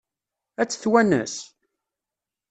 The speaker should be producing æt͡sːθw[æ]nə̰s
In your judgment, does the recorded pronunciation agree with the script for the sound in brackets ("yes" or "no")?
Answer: yes